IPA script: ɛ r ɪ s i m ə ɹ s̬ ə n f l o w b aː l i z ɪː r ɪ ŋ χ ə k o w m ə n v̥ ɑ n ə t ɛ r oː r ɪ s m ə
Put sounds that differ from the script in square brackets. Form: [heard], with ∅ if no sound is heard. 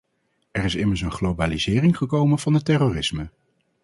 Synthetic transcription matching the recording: ɛ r ɪ s [ɪ] m ə ɹ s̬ ə n [χ] l o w b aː l i z ɪː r ɪ ŋ χ ə k o w m ə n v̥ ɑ n ə t ɛ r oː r ɪ s m ə